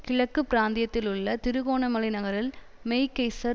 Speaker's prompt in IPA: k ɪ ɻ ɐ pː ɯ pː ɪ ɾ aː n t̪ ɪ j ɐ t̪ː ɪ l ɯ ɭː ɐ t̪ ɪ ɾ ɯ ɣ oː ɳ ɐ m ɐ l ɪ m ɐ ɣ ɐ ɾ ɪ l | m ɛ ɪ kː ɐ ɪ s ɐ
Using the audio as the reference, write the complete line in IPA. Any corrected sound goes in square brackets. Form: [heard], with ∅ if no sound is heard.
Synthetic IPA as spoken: k ɪ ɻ ɐ [kː] ɯ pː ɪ ɾ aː n [d̪] ɪ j ɐ t̪ː ɪ l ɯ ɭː ɐ t̪ ɪ ɾ ɯ ɣ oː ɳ ɐ m ɐ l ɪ [n] ɐ ɣ ɐ ɾ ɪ l | m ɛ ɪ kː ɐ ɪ s ɐ